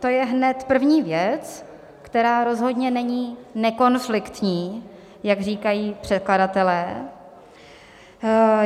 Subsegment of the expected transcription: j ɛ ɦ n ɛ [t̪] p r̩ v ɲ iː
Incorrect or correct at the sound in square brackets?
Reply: correct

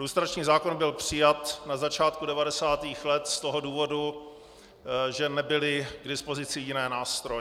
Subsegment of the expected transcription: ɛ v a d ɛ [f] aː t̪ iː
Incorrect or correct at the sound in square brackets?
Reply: incorrect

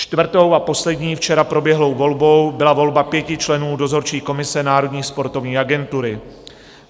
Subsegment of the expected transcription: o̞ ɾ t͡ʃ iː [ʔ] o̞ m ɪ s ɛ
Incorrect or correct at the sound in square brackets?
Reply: incorrect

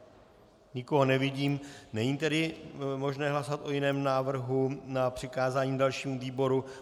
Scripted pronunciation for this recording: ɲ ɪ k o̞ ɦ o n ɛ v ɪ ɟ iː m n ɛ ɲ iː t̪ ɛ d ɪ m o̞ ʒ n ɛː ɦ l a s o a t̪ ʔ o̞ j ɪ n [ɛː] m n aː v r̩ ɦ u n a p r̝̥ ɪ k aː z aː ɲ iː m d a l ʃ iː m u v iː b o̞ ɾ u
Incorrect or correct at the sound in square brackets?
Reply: correct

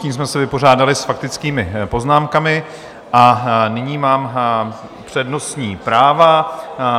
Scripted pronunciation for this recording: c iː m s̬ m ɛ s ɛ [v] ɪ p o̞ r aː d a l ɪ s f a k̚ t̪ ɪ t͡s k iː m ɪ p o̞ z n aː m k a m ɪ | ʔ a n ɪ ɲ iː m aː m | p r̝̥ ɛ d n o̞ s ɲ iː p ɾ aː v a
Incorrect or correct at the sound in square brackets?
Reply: correct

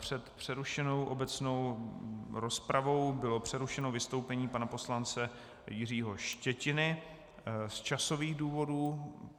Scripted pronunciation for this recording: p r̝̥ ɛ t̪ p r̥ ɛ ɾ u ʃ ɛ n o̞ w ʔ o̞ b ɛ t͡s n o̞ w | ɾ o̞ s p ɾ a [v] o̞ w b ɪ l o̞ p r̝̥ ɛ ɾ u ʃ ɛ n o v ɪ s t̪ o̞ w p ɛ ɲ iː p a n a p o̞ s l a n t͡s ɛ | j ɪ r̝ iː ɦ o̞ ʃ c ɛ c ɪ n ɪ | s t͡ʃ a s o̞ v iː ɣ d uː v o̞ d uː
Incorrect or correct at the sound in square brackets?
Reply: correct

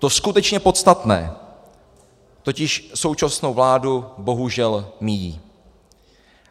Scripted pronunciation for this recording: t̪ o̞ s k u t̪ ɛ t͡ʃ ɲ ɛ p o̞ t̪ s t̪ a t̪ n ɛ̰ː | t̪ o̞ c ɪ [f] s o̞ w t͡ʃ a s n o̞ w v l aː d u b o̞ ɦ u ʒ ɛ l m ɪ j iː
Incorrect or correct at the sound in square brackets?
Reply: incorrect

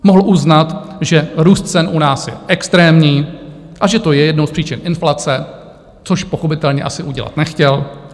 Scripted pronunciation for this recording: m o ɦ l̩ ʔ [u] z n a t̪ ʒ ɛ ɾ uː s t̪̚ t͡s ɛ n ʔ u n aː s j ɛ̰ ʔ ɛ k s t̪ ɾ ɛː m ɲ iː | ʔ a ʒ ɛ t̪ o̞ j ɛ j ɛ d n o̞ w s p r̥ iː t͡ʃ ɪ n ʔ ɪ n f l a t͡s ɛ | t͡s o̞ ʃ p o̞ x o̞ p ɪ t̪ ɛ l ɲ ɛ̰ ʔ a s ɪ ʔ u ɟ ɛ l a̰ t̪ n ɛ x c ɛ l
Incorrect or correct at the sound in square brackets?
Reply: correct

